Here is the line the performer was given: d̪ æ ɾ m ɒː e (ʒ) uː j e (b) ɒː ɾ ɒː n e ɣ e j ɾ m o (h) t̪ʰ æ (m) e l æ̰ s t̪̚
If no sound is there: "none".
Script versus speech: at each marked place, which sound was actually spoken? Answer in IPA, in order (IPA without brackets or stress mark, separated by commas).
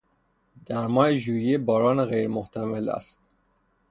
ʒ, b, h, m